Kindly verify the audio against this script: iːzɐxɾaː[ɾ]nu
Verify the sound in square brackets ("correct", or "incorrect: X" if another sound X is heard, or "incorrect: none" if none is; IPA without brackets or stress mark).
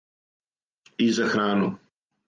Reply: incorrect: none